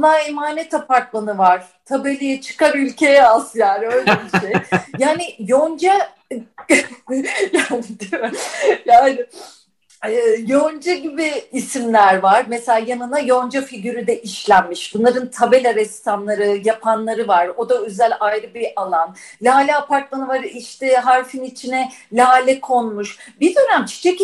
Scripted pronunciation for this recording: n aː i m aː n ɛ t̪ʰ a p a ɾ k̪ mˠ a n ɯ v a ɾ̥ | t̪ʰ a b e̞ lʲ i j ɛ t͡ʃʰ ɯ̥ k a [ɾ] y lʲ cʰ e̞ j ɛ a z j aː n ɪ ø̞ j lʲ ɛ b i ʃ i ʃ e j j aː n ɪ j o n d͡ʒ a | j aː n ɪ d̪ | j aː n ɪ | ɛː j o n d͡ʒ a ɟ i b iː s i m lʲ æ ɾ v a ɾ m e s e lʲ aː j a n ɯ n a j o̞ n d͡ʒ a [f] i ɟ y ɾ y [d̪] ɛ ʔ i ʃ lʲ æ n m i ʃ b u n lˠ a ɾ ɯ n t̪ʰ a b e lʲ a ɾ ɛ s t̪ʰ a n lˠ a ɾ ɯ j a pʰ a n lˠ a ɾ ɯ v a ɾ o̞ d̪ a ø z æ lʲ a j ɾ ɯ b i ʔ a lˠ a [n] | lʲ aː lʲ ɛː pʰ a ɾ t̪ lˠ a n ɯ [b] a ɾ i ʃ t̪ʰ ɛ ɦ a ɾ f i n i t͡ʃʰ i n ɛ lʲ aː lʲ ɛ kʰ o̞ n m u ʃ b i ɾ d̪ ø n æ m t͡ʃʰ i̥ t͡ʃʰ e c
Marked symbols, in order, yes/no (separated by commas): yes, yes, yes, yes, no